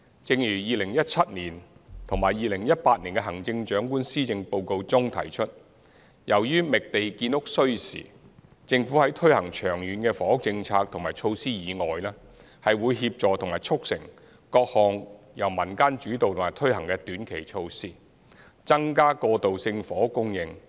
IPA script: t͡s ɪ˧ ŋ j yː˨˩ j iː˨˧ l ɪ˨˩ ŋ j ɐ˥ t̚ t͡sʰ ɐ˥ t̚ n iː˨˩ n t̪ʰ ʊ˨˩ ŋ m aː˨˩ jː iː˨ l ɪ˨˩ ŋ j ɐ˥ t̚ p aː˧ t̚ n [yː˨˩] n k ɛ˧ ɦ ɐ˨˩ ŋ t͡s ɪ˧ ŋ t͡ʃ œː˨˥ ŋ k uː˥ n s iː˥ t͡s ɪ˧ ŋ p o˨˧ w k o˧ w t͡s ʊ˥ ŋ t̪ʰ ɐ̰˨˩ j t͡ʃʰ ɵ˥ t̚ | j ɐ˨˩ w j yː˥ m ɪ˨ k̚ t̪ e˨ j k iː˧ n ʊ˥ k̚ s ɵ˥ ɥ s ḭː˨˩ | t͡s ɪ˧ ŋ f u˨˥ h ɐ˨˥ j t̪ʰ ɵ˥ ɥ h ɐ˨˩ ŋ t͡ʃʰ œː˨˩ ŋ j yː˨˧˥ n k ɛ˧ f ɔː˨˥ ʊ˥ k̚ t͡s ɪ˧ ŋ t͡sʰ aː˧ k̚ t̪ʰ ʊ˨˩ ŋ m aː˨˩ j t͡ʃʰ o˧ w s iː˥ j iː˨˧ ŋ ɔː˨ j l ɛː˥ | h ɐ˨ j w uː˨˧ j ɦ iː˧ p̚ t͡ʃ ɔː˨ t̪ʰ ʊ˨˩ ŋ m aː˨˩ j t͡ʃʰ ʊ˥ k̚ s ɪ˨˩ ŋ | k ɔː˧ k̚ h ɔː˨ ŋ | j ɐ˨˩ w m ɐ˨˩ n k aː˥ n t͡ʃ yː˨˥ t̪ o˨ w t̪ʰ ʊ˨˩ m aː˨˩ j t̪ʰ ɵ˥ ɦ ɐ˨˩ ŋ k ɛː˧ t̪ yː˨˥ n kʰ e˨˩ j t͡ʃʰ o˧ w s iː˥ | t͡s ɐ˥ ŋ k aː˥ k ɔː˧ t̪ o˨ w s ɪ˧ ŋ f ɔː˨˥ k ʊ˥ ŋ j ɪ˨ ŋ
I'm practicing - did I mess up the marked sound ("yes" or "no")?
yes